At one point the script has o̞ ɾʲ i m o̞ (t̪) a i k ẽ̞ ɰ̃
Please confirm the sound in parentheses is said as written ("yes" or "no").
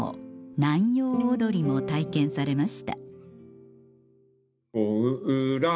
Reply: yes